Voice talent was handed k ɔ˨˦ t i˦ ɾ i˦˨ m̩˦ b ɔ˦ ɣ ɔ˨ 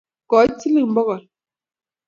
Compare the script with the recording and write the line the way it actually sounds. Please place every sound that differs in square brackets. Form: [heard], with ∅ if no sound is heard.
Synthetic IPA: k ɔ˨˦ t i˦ [l] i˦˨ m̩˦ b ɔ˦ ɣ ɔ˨